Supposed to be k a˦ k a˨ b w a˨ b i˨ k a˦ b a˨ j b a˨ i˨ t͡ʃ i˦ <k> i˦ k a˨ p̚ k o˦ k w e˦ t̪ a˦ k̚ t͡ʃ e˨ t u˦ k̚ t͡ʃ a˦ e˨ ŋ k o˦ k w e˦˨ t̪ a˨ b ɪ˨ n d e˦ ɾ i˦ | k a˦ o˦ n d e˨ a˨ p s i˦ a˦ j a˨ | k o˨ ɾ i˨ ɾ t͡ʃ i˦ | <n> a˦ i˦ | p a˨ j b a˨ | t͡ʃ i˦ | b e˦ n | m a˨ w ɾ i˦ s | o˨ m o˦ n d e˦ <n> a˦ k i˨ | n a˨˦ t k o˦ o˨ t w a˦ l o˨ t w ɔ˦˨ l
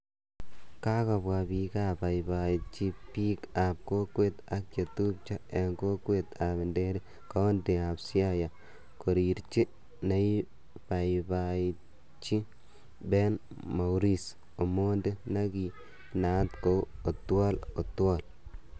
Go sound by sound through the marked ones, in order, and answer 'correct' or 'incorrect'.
incorrect: p, correct, correct

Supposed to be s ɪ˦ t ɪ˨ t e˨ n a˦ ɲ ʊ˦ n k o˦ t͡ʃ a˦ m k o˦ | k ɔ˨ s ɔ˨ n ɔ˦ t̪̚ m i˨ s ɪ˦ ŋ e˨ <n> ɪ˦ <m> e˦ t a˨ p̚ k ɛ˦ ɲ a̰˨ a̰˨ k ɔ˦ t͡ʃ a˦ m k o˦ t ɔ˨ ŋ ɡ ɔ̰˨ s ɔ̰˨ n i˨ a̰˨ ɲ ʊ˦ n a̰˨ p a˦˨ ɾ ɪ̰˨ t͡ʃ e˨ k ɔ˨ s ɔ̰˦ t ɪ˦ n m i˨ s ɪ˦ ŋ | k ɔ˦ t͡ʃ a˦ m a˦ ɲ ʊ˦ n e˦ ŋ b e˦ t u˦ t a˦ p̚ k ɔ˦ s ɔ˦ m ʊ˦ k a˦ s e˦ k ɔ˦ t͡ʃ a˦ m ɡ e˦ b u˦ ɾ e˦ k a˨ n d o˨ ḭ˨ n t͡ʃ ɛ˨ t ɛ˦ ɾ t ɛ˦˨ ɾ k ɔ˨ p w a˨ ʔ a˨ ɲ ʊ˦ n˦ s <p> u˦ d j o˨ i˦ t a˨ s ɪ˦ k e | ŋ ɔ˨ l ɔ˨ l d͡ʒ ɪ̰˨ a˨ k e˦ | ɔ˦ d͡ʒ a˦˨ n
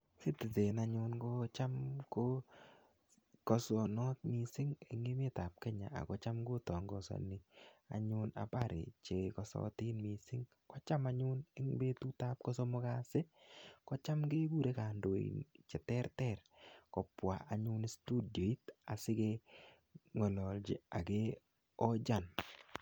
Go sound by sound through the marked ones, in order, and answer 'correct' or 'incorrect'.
incorrect: ŋ, correct, incorrect: t

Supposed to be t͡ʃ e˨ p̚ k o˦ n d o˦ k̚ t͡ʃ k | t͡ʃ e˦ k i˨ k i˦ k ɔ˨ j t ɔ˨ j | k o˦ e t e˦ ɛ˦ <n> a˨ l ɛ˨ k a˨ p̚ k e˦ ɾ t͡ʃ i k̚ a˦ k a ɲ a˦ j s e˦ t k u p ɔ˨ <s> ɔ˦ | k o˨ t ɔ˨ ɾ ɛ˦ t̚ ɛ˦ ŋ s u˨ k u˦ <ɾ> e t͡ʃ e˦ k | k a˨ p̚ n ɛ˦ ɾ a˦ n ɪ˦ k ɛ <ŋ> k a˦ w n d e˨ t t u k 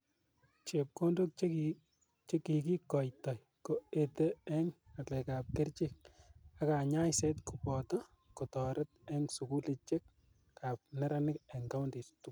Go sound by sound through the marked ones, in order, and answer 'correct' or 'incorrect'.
incorrect: ŋ, incorrect: t, incorrect: l, correct

